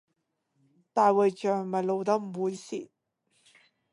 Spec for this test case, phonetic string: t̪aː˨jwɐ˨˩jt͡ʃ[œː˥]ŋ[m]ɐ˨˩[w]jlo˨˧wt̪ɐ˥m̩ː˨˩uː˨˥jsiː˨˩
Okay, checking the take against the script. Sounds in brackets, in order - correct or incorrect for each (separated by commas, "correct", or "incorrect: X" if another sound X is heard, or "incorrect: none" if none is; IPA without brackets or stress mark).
incorrect: œː˨˩, correct, incorrect: none